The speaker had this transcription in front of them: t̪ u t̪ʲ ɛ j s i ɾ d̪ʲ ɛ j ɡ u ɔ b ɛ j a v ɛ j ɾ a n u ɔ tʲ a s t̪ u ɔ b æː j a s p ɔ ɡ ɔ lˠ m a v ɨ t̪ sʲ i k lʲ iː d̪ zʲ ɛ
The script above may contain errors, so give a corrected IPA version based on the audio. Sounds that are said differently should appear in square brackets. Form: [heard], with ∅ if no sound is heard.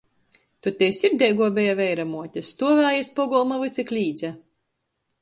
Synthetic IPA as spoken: t̪ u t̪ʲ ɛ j s i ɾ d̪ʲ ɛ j ɡ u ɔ b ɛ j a v ɛ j ɾ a [m] u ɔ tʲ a s t̪ u ɔ [v] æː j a s p ɔ ɡ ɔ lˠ m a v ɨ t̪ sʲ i k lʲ iː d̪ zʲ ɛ